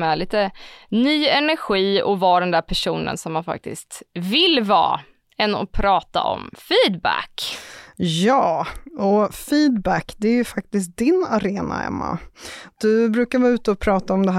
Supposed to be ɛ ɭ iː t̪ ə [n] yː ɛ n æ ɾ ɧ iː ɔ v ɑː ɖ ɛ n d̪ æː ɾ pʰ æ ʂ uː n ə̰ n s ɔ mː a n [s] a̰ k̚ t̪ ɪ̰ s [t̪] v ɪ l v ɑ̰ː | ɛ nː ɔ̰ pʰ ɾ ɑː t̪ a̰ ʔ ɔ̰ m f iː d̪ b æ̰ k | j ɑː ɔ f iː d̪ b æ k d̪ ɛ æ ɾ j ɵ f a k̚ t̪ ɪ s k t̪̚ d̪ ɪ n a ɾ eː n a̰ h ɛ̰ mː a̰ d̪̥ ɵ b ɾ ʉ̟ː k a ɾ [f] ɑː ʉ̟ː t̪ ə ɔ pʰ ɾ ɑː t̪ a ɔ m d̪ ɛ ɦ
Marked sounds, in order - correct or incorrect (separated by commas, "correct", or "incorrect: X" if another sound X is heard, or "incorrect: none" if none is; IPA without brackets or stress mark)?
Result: correct, incorrect: f, correct, incorrect: v